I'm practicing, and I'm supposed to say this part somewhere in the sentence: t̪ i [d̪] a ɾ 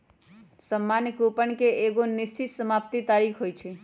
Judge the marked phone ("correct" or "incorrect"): incorrect